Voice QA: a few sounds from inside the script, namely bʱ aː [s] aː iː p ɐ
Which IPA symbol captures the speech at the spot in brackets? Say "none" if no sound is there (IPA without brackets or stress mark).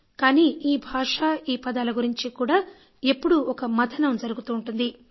ʂ